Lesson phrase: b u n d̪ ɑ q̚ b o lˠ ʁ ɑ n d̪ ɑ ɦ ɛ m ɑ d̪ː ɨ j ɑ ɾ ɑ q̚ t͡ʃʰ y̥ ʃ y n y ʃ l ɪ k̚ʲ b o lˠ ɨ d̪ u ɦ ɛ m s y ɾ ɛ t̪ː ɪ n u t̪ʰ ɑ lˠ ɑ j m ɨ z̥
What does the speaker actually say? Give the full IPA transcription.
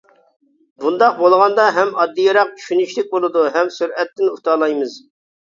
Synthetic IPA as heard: b u n d̪ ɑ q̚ b o lˠ ʁ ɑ n d̪ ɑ ɦ ɛ m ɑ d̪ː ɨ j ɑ ɾ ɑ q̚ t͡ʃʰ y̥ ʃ y n y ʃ l ɪ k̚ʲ b o lˠ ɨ d̪ u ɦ ɛ m s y ɾ ɛ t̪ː ɪ n u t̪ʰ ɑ lˠ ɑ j m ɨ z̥